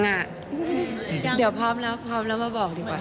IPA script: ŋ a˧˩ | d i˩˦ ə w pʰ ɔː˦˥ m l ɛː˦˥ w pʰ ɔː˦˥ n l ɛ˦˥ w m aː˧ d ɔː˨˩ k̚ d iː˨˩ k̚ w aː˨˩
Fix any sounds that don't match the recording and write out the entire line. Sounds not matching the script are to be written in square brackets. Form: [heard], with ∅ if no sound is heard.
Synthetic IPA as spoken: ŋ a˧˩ | d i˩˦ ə w pʰ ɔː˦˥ m l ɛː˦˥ w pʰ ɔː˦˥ [m] l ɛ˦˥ w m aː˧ [b] ɔː˨˩ k̚ d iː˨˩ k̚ w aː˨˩